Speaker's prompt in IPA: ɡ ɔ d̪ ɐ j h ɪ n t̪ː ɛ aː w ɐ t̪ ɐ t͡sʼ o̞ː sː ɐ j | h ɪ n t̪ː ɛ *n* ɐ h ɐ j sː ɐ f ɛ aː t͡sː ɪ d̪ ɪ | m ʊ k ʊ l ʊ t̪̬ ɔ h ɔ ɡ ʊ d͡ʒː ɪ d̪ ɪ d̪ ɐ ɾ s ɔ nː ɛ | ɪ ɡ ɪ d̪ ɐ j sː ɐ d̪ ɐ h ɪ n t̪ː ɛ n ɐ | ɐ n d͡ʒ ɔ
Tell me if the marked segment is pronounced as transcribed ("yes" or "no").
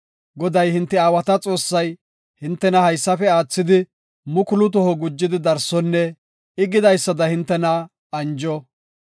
yes